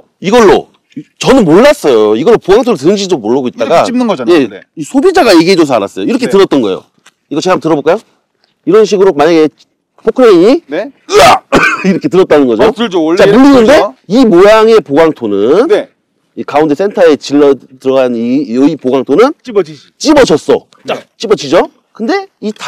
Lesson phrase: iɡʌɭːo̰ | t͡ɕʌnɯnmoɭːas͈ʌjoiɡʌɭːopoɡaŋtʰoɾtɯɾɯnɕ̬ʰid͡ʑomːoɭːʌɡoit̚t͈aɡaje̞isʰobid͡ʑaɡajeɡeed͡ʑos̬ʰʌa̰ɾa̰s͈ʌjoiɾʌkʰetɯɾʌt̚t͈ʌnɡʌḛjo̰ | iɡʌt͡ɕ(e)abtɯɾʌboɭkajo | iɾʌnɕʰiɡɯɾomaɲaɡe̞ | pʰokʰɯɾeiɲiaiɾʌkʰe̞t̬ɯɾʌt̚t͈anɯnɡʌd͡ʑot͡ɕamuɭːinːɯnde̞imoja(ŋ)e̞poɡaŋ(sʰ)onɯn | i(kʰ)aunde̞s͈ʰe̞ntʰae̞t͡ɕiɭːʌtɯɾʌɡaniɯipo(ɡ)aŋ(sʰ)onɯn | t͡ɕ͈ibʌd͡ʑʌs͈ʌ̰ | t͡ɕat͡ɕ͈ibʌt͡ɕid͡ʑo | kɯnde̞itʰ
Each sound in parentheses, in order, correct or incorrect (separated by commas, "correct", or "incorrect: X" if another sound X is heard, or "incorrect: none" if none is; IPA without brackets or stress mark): correct, correct, incorrect: tʰ, incorrect: k, correct, incorrect: tʰ